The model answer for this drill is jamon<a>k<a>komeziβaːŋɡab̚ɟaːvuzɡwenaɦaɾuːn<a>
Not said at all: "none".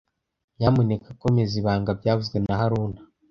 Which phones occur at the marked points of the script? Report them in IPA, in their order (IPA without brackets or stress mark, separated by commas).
e, a, a